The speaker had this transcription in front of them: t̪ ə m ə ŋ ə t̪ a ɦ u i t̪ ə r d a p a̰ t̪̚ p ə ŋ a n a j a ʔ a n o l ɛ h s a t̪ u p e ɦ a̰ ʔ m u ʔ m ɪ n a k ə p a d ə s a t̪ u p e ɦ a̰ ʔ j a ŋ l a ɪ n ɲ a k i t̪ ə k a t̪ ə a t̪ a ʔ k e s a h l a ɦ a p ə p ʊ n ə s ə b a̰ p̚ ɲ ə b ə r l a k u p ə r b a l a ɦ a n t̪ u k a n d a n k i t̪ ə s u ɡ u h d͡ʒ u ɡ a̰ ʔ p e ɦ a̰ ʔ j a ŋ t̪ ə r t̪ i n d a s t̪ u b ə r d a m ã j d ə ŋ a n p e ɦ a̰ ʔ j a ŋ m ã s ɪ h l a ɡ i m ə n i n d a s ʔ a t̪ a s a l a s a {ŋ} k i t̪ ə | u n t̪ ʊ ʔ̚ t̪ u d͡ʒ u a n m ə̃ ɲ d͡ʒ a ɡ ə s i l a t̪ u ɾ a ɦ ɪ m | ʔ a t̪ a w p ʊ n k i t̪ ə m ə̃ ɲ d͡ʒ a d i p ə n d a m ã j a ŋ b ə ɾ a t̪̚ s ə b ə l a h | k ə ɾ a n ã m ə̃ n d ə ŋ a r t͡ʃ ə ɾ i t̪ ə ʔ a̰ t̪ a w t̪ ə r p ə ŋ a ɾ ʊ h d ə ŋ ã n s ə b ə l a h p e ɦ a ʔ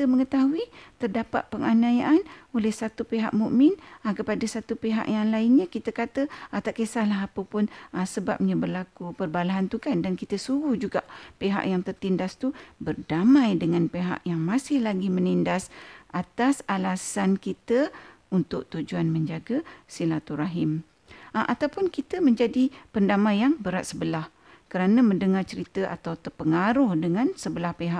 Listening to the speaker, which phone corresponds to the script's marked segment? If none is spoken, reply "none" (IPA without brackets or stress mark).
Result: n